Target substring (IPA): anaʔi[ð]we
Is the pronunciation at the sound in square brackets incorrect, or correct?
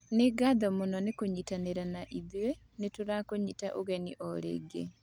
correct